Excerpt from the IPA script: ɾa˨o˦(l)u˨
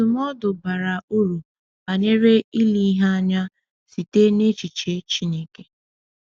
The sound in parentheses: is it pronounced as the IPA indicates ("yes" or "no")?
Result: no